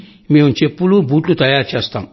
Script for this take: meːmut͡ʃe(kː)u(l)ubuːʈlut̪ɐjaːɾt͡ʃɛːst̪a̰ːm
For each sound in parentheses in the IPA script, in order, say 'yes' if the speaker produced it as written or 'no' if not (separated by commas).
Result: no, yes